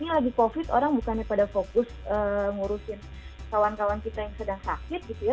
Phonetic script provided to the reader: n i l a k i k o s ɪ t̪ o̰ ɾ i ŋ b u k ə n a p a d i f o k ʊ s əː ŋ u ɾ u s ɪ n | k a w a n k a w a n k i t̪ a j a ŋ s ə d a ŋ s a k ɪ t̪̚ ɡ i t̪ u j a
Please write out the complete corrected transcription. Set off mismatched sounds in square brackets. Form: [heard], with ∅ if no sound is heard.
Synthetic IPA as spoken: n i l a [ɡ] i k o [f] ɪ t̪ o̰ ɾ [a] ŋ b u k [a] n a p a d [a] f o k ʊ s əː ŋ u ɾ u s ɪ n | k a w a n k a w a n k i t̪ a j a ŋ s ə d a ŋ s a k ɪ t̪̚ ɡ i t̪ u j a

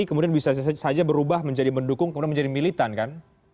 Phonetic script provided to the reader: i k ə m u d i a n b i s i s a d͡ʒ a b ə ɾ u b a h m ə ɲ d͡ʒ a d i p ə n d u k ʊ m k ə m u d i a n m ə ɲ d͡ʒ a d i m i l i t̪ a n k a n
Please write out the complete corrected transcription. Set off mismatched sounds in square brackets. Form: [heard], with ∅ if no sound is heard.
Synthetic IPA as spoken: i k ə m u d i a n b i s [a] s a d͡ʒ a b ə ɾ u b a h m ə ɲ d͡ʒ a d i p ə n d u k ʊ [ŋ] k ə m u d i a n m ə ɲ d͡ʒ a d i m i l i t̪ a n k a n

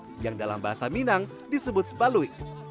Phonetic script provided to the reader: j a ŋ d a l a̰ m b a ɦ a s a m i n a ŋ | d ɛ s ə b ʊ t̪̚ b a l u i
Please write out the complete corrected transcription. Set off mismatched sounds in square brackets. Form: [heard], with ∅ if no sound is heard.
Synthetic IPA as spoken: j a ŋ d a l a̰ m b a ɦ a s a m i n a ŋ | d [i] s ə b ʊ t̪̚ b a l u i

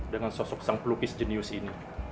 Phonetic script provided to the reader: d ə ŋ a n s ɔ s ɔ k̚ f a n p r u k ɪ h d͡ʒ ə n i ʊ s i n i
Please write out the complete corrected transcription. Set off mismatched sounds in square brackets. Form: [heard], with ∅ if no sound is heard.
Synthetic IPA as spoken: d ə ŋ a n s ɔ s ɔ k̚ [s] a [ŋ] p [l] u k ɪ [s] d͡ʒ ə n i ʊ s i n i

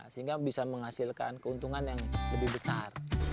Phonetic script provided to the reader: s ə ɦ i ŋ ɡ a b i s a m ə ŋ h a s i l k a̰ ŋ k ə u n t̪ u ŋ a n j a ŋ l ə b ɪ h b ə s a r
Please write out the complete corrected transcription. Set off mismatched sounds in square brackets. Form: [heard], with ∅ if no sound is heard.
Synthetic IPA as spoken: s ə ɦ i ŋ ɡ a b i s a m ə ŋ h a s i l k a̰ [n] k ə u n t̪ u ŋ a n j a ŋ l ə b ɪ h b ə s a r

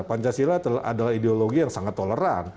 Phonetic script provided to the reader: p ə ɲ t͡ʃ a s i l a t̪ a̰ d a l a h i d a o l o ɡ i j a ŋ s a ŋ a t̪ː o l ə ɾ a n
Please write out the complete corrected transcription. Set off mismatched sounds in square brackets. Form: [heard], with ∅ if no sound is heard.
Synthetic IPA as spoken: p [a] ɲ t͡ʃ a s i l a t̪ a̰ d a l a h i d [e] o l o ɡ i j a ŋ s a ŋ a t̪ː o l ə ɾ a n

